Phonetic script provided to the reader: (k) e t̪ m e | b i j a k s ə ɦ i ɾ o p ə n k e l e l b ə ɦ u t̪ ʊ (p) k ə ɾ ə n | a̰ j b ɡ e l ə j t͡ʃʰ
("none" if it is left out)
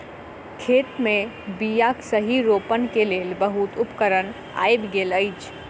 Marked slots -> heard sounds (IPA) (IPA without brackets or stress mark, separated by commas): kʰ, p